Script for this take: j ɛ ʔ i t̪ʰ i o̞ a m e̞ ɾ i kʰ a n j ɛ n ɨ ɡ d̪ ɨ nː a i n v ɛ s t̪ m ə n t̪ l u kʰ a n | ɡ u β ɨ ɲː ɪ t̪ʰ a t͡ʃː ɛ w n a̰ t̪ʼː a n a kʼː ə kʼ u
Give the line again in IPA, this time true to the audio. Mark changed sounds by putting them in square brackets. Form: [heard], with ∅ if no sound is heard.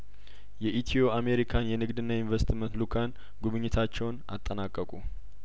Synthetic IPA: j ɛ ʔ i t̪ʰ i o̞ a m e̞ ɾ i kʰ a n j ɛ n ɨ ɡ d̪ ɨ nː a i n v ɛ s t̪ m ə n t̪ l u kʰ a n | ɡ u β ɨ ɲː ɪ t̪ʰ a t͡ʃː ɛ w n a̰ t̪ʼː [ə] n a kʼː ə kʼ u